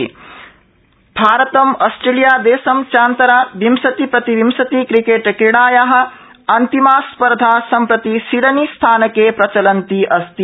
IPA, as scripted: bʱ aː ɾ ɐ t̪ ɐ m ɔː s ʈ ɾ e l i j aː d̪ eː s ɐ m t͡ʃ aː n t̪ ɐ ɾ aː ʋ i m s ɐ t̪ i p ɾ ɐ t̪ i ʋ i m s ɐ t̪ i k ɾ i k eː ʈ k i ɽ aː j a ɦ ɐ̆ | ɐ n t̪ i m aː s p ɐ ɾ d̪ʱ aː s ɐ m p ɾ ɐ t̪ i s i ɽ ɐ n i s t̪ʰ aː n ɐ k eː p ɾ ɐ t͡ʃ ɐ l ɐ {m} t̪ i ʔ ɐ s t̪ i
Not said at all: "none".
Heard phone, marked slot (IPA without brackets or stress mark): n